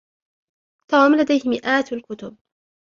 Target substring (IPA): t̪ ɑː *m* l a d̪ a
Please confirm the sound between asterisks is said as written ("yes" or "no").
yes